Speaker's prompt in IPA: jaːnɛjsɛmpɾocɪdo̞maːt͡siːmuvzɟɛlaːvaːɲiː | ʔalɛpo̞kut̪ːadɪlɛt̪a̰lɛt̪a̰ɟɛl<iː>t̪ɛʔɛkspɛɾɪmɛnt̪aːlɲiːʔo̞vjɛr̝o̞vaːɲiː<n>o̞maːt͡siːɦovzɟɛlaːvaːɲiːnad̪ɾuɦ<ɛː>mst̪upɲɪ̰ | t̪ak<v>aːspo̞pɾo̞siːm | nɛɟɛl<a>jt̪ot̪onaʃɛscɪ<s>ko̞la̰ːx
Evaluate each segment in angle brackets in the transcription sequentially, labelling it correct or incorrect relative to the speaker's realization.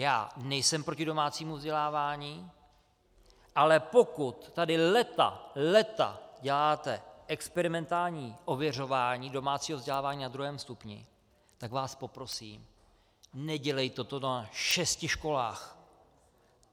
incorrect: aː, incorrect: d, correct, correct, incorrect: ɛ, incorrect: ʃ

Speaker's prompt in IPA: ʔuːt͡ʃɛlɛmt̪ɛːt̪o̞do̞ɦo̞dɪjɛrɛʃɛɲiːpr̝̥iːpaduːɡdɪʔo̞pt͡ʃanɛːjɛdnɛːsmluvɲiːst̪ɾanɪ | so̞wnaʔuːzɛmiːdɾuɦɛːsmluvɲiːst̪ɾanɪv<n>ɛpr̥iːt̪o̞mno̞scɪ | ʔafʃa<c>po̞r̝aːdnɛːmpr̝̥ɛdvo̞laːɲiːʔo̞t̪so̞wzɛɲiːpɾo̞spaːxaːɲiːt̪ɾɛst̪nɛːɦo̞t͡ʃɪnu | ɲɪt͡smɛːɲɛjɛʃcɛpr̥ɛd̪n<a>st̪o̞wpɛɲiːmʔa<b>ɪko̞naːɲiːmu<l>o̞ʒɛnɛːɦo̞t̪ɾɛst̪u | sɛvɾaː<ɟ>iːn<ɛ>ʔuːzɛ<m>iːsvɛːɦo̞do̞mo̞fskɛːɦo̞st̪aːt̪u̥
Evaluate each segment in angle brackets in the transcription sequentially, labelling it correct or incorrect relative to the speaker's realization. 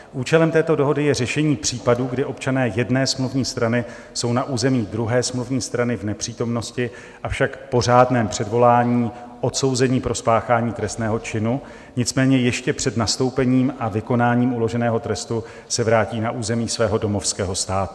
correct, incorrect: k, correct, incorrect: v, correct, incorrect: c, incorrect: a, correct

